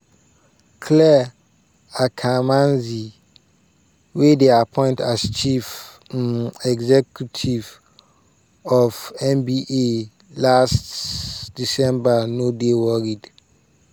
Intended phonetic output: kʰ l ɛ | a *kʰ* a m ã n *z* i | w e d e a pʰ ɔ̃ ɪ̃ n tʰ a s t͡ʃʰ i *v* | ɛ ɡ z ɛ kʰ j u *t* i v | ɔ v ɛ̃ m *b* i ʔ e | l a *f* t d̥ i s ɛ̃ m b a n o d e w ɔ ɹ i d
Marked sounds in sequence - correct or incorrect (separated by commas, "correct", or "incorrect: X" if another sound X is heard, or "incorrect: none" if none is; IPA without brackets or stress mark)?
correct, correct, incorrect: f, incorrect: tʰ, correct, incorrect: s